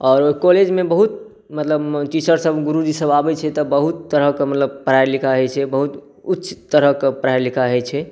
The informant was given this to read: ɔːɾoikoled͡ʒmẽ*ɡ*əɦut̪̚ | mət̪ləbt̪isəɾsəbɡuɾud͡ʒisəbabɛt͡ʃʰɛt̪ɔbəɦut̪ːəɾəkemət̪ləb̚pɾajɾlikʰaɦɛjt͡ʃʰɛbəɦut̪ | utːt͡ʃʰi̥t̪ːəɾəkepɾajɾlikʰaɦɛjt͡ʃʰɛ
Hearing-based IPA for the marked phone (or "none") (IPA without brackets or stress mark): b